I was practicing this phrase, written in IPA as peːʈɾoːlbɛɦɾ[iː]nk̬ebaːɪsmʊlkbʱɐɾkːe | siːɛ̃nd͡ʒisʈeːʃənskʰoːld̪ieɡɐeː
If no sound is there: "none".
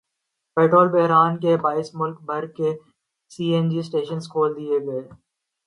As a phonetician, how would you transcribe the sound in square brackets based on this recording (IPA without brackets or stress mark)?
aː